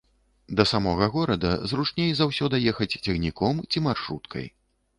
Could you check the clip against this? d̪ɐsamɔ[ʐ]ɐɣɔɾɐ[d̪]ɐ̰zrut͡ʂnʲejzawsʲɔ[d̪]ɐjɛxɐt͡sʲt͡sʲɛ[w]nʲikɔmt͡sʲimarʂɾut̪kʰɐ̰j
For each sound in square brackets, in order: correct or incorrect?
incorrect: ɣ, correct, correct, incorrect: ɣ

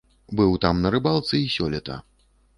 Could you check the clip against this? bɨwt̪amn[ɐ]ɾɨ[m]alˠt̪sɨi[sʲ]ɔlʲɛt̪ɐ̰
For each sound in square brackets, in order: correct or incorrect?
correct, incorrect: b, correct

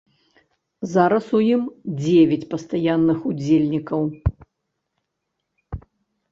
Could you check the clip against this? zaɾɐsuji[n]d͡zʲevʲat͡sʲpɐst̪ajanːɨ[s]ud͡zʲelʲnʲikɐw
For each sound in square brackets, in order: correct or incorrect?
incorrect: m, incorrect: x

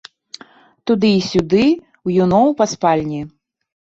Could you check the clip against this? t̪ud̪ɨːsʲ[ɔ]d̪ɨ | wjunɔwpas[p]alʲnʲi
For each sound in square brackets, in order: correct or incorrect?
incorrect: u, correct

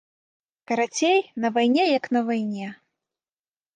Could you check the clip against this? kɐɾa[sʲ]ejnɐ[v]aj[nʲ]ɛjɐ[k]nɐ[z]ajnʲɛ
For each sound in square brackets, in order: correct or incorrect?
incorrect: t͡sʲ, correct, correct, correct, incorrect: v

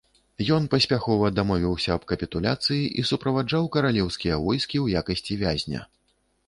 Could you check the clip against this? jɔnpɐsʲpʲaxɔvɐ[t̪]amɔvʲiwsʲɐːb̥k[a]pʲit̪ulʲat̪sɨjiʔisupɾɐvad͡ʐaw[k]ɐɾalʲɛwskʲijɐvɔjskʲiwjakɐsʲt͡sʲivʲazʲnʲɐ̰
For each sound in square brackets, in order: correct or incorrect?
incorrect: d̪, incorrect: ɐ, correct

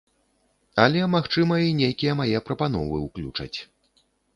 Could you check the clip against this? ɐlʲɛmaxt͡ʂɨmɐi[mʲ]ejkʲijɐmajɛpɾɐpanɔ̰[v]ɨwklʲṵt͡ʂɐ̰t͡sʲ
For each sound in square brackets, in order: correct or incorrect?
incorrect: nʲ, correct

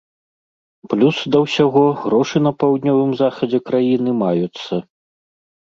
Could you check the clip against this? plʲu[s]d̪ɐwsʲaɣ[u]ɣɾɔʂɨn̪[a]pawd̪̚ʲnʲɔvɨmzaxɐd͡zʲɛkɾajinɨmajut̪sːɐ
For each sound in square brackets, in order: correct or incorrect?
correct, incorrect: ɔ, incorrect: ɐ

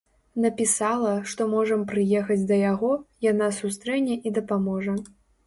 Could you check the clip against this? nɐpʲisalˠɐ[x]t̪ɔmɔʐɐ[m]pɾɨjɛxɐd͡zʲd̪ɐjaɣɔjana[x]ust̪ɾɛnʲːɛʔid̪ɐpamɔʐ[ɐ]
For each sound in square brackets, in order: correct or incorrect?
incorrect: ʂ, correct, incorrect: s, correct

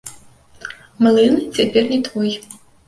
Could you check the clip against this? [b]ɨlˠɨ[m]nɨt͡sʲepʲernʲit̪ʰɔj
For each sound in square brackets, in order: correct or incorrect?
incorrect: m, incorrect: none

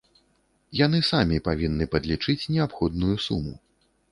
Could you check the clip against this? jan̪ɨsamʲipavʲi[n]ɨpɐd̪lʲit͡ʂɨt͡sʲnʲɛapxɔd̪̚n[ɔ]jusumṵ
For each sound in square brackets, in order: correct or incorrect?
incorrect: nː, incorrect: u

